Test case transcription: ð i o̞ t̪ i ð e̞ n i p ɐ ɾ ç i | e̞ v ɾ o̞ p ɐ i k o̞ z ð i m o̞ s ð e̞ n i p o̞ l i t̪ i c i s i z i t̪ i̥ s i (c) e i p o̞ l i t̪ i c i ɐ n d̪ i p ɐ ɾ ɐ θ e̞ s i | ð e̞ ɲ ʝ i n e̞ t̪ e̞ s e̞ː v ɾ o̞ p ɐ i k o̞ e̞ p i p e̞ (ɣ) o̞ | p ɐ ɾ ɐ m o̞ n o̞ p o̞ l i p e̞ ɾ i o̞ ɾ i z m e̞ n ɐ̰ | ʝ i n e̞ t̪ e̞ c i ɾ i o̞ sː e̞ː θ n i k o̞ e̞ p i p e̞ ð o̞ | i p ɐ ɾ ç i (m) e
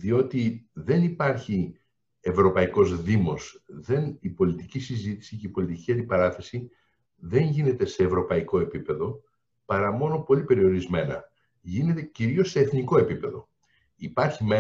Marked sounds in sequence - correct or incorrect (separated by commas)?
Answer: correct, incorrect, correct